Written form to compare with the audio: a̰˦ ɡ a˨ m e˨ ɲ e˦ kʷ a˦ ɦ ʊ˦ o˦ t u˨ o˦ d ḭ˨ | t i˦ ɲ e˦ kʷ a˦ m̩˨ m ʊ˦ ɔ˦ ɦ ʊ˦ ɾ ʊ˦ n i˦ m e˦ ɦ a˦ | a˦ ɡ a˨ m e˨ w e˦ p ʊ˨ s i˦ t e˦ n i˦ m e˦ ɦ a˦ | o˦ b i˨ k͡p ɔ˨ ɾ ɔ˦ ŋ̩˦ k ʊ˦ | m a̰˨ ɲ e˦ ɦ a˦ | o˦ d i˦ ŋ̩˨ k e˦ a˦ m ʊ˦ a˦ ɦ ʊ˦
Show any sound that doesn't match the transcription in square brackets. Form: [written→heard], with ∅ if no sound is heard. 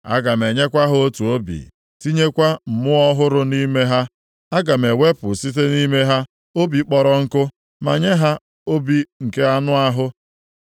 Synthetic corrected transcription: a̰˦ ɡ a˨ m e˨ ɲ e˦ kʷ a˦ ɦ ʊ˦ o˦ t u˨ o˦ [d→b] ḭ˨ | t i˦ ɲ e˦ kʷ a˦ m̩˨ m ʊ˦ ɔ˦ ɦ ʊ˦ ɾ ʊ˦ n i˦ m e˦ ɦ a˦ | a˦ ɡ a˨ m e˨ w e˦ p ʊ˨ s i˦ t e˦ n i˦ m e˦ ɦ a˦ | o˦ b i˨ k͡p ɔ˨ ɾ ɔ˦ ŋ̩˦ k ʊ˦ | m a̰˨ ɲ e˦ ɦ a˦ | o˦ [d→b] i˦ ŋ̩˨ k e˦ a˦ [m→n] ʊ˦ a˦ ɦ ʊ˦

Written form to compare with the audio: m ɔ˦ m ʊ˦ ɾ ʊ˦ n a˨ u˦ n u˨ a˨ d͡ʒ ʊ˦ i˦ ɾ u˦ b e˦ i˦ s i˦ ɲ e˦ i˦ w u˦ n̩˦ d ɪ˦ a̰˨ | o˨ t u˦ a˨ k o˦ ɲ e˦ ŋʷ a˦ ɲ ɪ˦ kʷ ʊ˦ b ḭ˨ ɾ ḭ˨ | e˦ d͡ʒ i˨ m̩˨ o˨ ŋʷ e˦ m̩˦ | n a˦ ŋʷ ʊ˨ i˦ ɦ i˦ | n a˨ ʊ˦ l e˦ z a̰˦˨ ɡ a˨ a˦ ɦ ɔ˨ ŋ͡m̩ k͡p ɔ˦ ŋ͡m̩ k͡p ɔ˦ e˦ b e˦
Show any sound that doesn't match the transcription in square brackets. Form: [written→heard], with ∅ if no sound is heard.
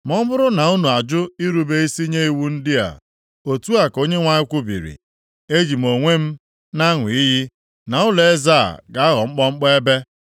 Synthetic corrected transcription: m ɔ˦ m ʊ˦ ɾ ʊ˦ n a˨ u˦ n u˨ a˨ d͡ʒ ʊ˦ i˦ ɾ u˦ b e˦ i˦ s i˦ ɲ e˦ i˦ w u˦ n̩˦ d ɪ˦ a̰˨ | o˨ t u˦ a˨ k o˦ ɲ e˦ ŋʷ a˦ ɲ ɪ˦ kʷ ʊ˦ b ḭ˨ ɾ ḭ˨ | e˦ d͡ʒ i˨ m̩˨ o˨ ŋʷ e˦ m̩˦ | n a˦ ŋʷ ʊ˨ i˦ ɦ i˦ | n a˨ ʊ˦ l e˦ z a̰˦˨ ɡ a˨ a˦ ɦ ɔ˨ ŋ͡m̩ k͡p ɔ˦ ŋ͡m̩ k͡p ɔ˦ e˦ b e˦

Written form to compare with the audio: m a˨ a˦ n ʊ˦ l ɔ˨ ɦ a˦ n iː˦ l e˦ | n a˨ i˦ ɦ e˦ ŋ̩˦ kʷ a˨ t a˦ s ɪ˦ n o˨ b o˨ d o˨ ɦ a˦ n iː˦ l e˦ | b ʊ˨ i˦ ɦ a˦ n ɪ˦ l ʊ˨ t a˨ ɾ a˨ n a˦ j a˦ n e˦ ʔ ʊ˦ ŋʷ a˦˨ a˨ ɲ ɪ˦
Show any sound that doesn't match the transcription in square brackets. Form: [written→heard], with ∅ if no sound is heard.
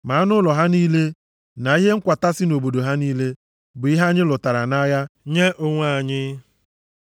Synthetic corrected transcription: m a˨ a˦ n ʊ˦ l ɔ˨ ɦ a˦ n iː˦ l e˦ | n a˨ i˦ ɦ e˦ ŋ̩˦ kʷ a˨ t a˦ s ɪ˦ n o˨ b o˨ d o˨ ɦ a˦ n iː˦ l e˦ | b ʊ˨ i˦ ɦ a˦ [n→ɲ] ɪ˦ l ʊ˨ t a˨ ɾ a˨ n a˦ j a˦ [n→ɲ] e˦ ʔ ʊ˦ ŋʷ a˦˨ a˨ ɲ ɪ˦

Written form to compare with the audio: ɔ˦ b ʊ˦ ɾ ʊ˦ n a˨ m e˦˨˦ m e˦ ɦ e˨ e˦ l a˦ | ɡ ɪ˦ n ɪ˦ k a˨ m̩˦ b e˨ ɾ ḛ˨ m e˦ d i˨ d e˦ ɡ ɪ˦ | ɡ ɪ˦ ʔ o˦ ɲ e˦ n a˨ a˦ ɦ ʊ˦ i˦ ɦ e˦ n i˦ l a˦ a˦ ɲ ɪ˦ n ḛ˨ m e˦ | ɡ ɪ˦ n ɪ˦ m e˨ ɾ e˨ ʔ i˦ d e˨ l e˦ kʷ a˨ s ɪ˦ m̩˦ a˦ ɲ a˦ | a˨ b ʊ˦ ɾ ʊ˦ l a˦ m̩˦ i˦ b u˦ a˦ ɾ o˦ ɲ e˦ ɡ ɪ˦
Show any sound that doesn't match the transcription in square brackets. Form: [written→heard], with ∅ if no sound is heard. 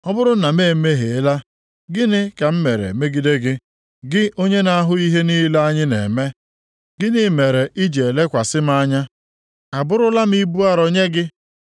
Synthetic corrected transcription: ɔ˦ b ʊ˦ ɾ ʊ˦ n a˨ m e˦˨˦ m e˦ ɦ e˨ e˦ l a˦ | ɡ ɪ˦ n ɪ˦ k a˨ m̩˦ [b→m] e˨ ɾ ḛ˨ m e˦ [d→ɡ] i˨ d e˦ ɡ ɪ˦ | ɡ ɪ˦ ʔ o˦ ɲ e˦ n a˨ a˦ ɦ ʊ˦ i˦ ɦ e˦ n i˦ l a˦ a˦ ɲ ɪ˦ n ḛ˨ m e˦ | ɡ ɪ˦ n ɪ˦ m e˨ ɾ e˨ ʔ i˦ [d→d͡ʒ] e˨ l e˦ kʷ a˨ s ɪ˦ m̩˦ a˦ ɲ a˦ | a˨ b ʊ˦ ɾ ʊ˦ l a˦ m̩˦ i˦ b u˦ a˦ ɾ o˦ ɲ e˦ ɡ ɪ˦

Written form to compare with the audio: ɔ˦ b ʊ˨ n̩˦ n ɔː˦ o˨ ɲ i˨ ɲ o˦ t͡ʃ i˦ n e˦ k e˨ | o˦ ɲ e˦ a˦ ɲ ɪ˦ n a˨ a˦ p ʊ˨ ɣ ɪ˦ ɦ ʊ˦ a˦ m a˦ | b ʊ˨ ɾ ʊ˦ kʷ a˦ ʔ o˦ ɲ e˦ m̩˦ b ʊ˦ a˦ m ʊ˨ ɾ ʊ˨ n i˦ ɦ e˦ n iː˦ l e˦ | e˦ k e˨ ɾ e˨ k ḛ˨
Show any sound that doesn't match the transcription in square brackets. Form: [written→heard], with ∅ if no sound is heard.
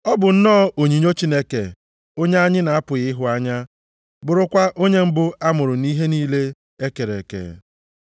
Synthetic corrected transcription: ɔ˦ b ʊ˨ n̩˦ n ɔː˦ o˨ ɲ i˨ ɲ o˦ t͡ʃ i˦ n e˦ k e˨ | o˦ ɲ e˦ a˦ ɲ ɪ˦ n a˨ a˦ p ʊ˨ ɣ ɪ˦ ɦ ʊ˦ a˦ [m→ɲ] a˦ | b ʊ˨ ɾ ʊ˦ kʷ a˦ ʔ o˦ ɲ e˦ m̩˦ b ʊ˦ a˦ m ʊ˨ ɾ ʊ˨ n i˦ ɦ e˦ n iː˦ l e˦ | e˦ k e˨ ɾ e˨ k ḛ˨

